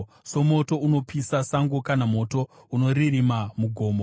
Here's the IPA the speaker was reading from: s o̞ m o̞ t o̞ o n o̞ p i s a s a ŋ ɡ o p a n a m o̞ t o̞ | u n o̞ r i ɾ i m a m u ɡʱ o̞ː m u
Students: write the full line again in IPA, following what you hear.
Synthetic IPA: s o̞ m o̞ t o̞ u n o̞ p i s a s a ŋ ɡ o k a n a m o̞ t o̞ | u n o̞ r i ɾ i m a m u ɡʱ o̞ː m o